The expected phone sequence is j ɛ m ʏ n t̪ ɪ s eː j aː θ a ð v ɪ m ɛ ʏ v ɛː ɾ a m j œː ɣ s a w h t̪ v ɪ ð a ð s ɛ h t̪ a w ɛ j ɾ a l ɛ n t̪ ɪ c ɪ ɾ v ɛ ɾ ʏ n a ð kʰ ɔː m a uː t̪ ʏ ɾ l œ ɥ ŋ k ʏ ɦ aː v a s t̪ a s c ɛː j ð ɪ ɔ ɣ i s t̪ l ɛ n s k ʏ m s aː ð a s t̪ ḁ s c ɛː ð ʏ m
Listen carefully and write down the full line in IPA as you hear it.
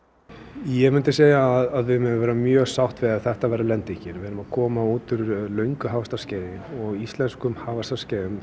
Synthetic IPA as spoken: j ɛ m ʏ n t̪ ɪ s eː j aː ð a ð v ɪ m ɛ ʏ v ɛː ɾ a m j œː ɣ s a w h t̪ v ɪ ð a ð θ ɛ h t̪ a v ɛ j ɾ a l ɛ n t̪ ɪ c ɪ ɾ v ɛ ɾ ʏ m a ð kʰ ɔː m a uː t̪ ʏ ɾ l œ ɥ ŋ k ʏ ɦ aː v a s t̪ a s c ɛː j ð ɪ ɔ ɣ i s t̪ l ɛ n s k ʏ m h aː v a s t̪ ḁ s c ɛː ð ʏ m

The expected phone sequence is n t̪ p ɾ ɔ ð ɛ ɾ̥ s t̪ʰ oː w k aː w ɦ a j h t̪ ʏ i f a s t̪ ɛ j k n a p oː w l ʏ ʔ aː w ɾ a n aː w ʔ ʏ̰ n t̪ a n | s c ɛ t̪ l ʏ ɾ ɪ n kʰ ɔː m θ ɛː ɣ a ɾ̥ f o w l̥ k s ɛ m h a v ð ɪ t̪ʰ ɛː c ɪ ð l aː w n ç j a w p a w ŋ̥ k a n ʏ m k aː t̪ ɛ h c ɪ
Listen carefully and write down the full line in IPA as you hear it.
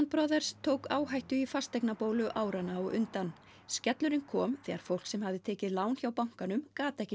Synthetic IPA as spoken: n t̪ p ɾ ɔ ð ɛ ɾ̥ s t̪ʰ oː w k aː w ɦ a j h t̪ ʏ i f a s t̪ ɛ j k n a p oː w l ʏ ʔ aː w ɾ a n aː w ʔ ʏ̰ n t̪ a n | s c ɛ t̪ l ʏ ɾ ɪ n kʰ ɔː m θ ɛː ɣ a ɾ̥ f o w l̥ k s ɛ m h a v ð ɪ t̪ʰ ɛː c ɪ ð l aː w n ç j a w p a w ŋ̥ k a n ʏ m k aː t̪ ɛ h c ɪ

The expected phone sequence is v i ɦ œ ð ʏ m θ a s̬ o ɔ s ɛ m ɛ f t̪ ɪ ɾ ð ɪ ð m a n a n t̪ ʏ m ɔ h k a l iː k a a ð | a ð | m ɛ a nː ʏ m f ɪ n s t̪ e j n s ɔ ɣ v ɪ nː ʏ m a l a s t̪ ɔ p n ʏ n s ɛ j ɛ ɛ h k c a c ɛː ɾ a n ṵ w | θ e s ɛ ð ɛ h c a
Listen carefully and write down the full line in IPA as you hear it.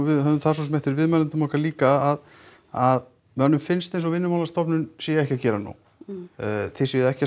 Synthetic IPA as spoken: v ɪ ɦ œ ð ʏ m θ a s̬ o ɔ s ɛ m ɛ h t̪ ɪ ɾ v ɪ ð m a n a n t̪ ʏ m ɔ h k a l iː k a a ð | a ð | m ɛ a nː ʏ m f ɪ n s t̪ e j n s ɔ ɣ v ɪ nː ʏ m a l a s t̪ ɔ p n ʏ n s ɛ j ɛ ɛ h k c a c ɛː ɾ a n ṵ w | θ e s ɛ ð ɛ h c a

